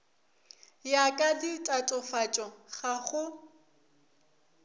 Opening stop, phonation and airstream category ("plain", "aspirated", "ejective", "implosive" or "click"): ejective